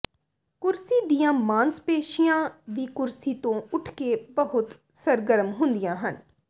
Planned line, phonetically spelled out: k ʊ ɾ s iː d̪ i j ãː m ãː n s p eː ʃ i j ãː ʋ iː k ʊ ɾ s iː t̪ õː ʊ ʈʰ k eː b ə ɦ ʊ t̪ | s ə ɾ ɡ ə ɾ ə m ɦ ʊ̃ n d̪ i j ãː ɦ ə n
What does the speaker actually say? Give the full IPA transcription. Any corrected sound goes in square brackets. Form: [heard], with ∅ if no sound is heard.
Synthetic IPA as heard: k ʊ ɾ s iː d̪ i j ãː m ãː n s p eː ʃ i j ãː ʋ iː k ʊ ɾ s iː t̪ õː ʊ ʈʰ k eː b ə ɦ ʊ t̪ | s ə ɾ ɡ ə ɾ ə m ɦ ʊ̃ n d̪ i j ãː ɦ ə n